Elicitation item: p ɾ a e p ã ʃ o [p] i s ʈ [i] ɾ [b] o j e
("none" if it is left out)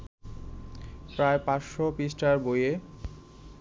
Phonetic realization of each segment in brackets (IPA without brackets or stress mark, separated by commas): p, a, b